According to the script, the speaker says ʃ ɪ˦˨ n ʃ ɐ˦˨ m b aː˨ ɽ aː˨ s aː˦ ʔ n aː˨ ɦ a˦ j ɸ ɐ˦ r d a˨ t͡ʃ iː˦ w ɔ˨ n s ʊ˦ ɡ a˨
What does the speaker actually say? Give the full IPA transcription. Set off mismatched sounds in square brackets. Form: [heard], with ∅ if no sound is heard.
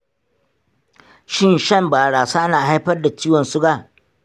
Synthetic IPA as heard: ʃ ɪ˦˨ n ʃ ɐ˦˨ m b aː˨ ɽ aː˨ s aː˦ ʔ n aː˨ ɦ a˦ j ɸ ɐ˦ r d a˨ t͡ʃ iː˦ w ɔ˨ n s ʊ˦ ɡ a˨

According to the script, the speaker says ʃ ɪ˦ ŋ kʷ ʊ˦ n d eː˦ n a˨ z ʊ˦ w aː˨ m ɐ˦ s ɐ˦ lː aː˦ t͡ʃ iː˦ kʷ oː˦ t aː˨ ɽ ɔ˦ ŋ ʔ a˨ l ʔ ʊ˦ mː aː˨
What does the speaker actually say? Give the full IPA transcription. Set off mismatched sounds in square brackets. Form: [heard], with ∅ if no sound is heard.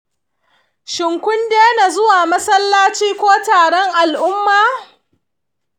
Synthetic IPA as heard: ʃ [ɪ˨] ŋ kʷ ʊ˦ n d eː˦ n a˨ z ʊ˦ w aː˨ m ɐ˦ s ɐ˦ lː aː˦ t͡ʃ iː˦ kʷ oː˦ t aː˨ ɽ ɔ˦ ŋ ʔ a˨ l ʔ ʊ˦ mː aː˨

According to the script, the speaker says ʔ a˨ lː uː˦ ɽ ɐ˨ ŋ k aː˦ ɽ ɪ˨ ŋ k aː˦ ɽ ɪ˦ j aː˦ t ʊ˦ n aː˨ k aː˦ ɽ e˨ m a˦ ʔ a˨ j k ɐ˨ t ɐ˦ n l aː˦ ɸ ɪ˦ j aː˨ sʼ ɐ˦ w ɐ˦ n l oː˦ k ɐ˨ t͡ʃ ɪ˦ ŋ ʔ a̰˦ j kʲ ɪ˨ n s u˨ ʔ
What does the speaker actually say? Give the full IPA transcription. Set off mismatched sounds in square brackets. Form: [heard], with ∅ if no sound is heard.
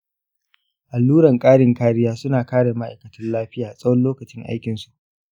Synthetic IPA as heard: ʔ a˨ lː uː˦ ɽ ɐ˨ ŋ [kʼ] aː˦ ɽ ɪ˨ ŋ k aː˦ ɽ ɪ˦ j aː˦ [s] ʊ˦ n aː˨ k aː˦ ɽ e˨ m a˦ ʔ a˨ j k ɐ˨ t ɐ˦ n l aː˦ ɸ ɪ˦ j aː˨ sʼ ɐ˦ w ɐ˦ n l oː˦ k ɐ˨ t͡ʃ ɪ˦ ŋ ʔ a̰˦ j kʲ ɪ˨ n s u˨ ʔ

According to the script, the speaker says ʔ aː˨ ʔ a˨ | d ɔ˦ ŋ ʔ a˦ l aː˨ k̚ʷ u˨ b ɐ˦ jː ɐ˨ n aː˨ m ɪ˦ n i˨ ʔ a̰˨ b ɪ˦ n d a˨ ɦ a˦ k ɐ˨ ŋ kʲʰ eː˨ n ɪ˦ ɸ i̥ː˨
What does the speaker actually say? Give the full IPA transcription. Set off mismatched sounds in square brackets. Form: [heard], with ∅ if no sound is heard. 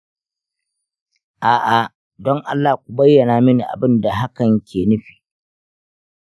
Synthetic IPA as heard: ʔ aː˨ ʔ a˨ | d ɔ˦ ŋ ʔ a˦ [lː] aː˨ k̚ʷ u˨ b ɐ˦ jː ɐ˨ n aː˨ m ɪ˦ n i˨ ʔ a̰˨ b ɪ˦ n d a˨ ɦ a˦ k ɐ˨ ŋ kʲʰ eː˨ n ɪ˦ ɸ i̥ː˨

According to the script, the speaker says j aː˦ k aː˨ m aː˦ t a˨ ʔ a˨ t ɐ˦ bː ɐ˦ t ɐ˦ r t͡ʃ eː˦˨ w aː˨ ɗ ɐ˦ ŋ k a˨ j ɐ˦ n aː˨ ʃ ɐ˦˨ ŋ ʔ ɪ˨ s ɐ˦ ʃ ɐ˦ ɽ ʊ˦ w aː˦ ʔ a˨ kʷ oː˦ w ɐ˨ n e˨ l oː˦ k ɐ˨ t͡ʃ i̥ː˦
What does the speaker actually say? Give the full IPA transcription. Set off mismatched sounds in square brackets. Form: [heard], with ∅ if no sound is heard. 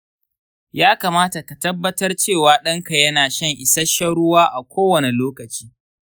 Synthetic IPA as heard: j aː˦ k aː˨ m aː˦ t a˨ [k] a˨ t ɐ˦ bː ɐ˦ t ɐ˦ r t͡ʃ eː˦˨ w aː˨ ɗ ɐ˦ ŋ k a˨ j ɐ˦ n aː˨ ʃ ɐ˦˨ ŋ ʔ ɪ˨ s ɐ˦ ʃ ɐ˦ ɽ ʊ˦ w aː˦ ʔ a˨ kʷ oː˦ w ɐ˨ n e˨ l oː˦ k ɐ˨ t͡ʃ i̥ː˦

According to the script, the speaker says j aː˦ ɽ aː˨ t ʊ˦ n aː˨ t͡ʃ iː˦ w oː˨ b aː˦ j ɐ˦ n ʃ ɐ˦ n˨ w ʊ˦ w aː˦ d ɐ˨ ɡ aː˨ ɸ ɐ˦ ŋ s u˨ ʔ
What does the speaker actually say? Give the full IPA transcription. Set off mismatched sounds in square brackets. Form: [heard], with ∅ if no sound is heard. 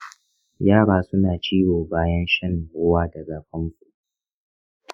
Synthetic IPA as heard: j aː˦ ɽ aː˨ [s] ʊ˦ n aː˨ t͡ʃ iː˦ w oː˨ b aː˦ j ɐ˦ n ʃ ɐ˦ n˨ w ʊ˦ w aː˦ d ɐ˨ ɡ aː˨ ɸ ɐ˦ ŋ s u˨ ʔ

